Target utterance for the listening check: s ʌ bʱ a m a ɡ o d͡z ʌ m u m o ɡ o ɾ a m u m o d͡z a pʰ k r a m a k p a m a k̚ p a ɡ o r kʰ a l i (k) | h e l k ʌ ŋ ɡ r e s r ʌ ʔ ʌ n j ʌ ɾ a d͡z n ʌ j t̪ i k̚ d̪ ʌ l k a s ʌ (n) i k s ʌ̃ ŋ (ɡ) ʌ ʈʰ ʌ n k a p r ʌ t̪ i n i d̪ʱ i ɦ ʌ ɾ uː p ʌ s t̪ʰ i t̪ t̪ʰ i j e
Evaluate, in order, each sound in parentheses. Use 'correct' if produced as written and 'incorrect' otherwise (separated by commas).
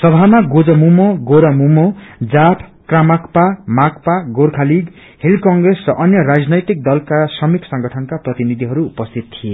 incorrect, incorrect, correct